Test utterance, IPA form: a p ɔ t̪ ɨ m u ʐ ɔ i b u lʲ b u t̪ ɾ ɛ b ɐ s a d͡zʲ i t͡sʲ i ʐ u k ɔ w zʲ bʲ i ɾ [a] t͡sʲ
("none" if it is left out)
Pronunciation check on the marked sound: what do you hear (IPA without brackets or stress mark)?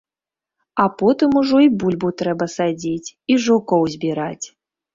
a